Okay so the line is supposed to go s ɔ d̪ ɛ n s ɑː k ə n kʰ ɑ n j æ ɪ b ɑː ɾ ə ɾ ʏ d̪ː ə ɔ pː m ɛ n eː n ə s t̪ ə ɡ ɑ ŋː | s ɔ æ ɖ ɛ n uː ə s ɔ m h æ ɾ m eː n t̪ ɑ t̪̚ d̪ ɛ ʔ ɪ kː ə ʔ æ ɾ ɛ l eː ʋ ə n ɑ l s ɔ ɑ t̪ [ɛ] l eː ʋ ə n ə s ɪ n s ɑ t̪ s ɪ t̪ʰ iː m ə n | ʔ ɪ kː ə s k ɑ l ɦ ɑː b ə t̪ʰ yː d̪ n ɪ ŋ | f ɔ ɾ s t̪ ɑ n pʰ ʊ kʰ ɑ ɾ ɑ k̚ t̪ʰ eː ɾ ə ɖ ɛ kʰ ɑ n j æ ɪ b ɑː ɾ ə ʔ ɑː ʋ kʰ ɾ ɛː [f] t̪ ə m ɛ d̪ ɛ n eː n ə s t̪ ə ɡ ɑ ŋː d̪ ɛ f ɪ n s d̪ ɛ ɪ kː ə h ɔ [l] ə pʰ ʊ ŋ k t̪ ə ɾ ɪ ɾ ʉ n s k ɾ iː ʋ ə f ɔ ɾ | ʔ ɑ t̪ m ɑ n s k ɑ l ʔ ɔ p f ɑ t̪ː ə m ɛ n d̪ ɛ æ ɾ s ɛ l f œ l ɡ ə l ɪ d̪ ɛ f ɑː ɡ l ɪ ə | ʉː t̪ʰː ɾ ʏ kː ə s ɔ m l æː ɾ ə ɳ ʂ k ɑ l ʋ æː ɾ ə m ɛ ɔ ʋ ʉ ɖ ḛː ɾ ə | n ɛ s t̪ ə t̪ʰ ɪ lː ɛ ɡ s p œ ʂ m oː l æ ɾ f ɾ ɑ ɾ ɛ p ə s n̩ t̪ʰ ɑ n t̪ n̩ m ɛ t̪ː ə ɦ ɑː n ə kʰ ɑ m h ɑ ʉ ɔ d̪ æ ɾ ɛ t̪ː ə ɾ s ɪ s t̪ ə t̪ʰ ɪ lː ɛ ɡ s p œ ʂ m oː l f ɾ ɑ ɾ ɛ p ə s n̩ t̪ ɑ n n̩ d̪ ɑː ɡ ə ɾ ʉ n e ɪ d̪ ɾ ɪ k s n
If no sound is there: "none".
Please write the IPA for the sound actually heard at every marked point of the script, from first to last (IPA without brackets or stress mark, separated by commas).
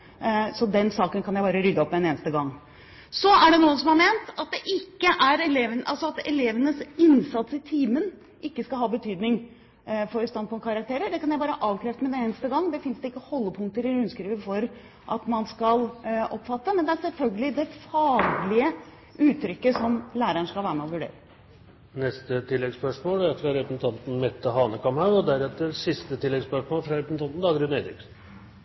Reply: ɛ, f, lː